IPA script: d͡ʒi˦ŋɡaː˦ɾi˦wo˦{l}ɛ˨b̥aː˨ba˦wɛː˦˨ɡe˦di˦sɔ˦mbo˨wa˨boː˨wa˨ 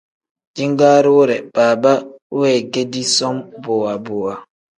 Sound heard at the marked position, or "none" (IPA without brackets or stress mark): ɾ